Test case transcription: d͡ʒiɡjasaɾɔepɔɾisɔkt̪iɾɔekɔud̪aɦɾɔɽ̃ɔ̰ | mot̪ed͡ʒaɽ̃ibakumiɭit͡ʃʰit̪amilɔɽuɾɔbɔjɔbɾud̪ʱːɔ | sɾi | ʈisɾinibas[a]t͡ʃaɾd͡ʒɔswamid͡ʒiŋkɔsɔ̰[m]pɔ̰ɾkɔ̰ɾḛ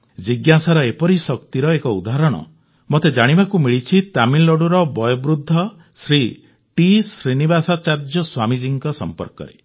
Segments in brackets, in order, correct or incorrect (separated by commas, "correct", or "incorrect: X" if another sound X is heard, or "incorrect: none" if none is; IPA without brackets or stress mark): correct, correct